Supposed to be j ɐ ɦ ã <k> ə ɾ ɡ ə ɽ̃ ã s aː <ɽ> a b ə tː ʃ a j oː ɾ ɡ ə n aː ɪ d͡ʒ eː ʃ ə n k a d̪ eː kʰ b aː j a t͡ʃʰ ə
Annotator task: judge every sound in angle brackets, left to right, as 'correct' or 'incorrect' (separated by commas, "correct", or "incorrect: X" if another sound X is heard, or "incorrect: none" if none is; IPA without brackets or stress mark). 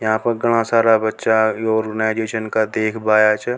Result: incorrect: p, incorrect: ɾ